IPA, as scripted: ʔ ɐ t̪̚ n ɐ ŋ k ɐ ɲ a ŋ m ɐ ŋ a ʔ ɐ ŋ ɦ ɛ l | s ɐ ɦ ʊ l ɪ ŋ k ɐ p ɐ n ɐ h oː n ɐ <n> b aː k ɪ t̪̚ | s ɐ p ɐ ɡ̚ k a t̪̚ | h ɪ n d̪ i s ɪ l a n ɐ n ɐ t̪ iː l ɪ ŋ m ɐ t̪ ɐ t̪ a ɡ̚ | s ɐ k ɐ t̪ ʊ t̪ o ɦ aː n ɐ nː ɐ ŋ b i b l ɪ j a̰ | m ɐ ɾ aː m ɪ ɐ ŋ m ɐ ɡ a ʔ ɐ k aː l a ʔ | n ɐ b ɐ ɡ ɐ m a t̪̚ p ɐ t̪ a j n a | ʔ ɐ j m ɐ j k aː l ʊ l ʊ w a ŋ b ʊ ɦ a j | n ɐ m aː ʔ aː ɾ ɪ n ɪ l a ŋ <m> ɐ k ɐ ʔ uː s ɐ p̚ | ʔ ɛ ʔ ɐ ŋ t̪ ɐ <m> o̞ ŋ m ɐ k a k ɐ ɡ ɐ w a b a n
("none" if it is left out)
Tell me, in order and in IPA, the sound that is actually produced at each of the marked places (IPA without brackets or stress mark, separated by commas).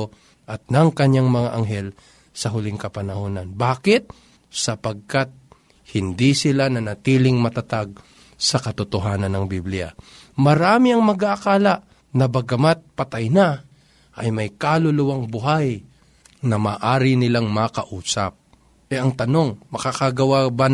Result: n, m, n